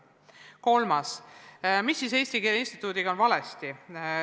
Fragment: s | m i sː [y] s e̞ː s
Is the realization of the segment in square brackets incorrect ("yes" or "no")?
yes